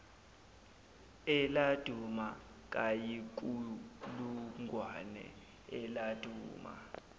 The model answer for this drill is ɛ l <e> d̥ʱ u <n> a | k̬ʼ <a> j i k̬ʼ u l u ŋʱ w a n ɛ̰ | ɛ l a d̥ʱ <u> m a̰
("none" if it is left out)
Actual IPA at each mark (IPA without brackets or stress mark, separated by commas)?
a, m, a, uː